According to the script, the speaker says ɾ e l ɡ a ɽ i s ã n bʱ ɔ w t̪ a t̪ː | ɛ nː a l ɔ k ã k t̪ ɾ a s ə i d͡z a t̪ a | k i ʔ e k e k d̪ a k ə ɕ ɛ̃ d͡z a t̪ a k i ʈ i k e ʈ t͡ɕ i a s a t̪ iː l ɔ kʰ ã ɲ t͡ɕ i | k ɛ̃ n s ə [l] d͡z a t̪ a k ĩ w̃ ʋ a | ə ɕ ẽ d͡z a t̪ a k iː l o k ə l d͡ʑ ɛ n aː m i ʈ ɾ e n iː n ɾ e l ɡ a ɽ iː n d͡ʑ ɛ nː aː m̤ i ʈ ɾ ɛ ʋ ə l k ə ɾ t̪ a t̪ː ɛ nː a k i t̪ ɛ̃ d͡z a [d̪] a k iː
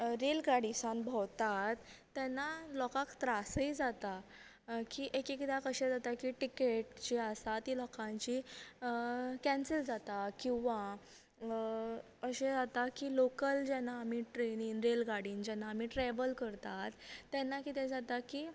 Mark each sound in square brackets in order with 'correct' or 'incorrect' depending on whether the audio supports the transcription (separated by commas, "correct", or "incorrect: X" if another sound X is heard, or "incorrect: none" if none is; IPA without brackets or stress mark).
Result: correct, incorrect: t̪